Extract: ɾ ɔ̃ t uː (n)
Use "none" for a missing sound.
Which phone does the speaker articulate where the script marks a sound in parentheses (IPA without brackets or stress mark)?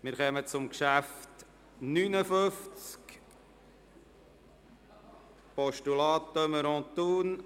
n